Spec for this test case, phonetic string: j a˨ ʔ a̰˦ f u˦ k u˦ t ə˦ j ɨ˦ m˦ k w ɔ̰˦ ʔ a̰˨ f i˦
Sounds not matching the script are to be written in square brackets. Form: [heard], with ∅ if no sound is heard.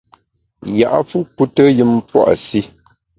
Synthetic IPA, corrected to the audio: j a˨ ʔ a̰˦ f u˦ k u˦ t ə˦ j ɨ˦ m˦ [p] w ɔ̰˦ ʔ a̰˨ [s] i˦